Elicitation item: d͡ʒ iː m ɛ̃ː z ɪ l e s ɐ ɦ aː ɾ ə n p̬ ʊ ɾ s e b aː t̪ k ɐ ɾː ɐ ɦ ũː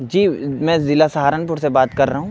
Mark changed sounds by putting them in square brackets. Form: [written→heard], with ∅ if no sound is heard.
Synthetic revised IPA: d͡ʒ iː m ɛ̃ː z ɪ l [e→a] s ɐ ɦ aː ɾ ə n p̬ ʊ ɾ s e b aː t̪ k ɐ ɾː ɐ ɦ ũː